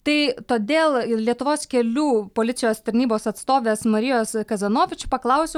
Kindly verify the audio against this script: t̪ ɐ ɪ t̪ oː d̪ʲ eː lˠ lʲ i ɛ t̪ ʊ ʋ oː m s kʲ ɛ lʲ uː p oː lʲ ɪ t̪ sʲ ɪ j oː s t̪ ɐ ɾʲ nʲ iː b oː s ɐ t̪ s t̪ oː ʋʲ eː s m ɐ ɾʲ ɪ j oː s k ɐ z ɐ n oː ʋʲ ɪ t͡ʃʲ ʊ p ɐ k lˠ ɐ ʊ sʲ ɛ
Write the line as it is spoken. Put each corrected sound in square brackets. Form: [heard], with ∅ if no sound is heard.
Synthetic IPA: t̪ ɐ ɪ t̪ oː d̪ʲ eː lˠ lʲ i ɛ t̪ ʊ ʋ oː [∅] s kʲ ɛ lʲ uː p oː lʲ ɪ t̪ sʲ ɪ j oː s t̪ ɐ ɾʲ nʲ iː b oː s ɐ t̪ s t̪ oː ʋʲ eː s m ɐ ɾʲ ɪ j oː s k ɐ z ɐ n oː ʋʲ ɪ t͡ʃʲ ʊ p ɐ k lˠ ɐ ʊ sʲ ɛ